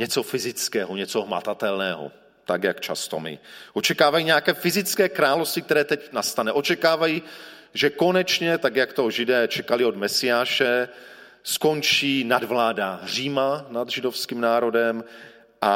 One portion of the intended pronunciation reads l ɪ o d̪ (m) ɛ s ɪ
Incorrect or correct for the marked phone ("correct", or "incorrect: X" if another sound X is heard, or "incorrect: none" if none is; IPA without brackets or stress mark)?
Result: correct